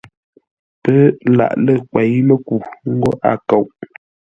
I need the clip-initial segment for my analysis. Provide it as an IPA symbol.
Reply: p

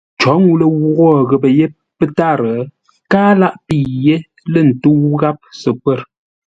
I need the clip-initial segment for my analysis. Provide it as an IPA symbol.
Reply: t͡ʃ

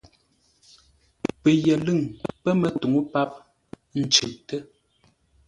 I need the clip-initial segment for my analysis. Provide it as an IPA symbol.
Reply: p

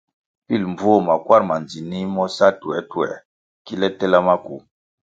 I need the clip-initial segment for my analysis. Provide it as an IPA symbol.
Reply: p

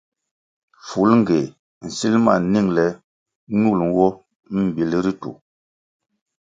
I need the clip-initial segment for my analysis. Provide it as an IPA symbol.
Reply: f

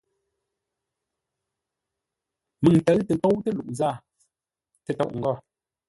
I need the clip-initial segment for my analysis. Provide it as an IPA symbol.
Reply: m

